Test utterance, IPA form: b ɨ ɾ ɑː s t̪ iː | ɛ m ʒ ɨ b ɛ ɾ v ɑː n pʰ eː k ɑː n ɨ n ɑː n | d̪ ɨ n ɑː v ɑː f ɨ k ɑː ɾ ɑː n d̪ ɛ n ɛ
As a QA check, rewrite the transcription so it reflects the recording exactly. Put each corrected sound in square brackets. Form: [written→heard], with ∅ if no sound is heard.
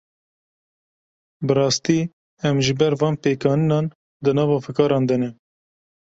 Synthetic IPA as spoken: b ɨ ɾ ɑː s t̪ iː | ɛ m ʒ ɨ b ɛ ɾ v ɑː n [pʰ→p] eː k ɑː n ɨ n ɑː n | d̪ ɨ n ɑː v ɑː f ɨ k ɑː ɾ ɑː n d̪ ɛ n ɛ

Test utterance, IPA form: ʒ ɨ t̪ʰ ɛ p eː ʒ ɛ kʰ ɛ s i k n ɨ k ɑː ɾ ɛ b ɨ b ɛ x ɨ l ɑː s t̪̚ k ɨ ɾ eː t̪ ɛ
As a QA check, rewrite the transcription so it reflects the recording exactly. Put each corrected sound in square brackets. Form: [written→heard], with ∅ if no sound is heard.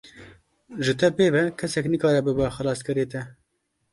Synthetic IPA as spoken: ʒ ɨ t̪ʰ ɛ p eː [ʒ→v] ɛ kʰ ɛ s [i→ɛ] k n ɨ k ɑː ɾ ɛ b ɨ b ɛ x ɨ l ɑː s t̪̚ k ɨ ɾ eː t̪ ɛ

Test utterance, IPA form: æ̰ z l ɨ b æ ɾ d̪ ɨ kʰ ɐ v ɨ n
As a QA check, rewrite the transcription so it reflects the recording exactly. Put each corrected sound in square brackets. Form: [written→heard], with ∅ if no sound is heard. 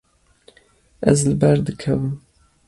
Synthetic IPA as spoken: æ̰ z l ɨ b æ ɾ d̪ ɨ kʰ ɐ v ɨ [n→m]

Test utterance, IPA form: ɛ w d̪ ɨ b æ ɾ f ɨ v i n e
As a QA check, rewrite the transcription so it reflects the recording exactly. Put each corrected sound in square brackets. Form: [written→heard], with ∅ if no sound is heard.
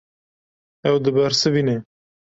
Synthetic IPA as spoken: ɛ w d̪ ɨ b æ ɾ [f→s] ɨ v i n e

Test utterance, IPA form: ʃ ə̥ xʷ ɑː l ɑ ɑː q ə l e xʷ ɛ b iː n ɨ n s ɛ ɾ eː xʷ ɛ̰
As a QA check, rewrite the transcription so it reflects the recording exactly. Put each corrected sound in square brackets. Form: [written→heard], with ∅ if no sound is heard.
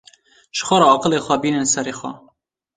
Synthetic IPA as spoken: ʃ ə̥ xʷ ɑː [l→ɾ] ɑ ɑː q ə l e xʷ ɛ b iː n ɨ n s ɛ ɾ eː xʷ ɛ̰

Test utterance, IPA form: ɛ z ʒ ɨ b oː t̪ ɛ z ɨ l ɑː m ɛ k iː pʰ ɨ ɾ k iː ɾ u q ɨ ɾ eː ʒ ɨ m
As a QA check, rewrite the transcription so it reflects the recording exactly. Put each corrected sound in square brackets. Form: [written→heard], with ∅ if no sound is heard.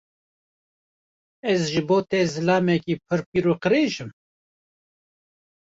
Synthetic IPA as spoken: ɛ z ʒ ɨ b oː t̪ ɛ z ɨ l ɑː m ɛ k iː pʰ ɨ ɾ [k→p] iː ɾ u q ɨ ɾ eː ʒ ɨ m

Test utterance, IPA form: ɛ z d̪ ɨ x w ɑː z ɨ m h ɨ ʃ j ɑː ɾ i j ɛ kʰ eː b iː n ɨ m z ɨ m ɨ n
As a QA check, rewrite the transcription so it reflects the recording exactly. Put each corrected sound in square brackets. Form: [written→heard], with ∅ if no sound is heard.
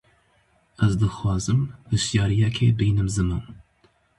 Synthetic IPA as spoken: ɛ z d̪ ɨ x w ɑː z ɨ m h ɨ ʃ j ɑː ɾ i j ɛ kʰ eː b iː n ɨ m z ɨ m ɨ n

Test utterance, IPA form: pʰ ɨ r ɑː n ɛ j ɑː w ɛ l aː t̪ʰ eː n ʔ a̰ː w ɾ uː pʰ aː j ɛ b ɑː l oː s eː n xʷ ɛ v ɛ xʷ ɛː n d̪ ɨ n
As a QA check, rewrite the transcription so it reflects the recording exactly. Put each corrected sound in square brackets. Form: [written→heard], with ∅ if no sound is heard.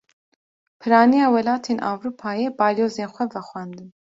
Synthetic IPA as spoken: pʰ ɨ [r→ɾ] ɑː n [ɛ→i] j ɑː w ɛ l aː t̪ʰ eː n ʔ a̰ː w ɾ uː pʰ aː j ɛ b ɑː l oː [s→z] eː n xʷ ɛ v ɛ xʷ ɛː n d̪ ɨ n

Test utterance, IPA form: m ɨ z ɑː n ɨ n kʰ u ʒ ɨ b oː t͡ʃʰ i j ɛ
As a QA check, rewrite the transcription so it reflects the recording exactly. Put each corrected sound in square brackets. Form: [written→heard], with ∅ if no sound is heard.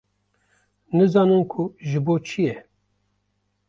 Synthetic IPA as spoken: [m→n] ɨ z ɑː n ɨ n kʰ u ʒ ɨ b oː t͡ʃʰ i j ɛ

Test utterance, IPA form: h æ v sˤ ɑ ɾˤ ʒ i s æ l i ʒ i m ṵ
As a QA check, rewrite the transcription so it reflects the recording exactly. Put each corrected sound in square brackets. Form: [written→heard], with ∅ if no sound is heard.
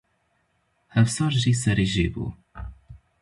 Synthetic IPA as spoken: h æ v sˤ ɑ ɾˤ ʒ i s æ [l→ɾ] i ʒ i [m→b] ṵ

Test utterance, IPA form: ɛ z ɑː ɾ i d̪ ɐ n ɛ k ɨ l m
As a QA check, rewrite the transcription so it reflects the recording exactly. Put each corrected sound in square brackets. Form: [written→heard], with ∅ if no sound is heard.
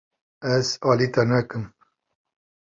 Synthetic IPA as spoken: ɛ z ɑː [ɾ→l] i [d̪→t̪] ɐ n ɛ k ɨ [l→∅] m

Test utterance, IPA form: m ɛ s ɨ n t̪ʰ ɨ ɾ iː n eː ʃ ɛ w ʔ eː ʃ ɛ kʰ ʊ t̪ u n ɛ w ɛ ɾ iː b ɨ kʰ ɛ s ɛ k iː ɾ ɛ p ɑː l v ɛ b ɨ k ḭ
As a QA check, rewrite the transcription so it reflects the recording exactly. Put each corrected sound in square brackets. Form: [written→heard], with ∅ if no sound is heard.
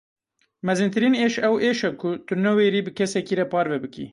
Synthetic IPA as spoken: m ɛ [s→z] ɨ n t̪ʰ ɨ ɾ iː n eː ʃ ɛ w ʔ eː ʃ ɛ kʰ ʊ t̪ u n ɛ w [ɛ→e] ɾ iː b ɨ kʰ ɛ s ɛ k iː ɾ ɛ p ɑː [l→ɾ] v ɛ b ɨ k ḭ

